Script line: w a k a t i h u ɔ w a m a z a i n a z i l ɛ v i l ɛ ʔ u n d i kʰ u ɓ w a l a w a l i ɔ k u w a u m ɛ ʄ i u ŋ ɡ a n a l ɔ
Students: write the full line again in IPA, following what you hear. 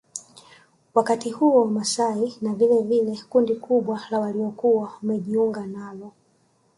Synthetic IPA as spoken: w a k a t i h u ɔ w a m a s a i n a v i l ɛ v i l ɛ k u n d i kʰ u ɓ w a l a w a l i ɔ k u w a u m ɛ ʄ i u ŋ ɡ a n a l ɔ